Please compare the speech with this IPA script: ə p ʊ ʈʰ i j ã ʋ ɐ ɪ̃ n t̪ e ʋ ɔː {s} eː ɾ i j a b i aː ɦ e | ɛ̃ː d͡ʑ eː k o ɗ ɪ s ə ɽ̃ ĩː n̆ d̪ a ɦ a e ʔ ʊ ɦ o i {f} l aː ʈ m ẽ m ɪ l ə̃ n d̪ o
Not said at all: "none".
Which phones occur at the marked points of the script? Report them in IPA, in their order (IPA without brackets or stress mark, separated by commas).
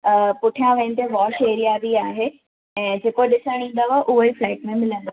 ʃ, f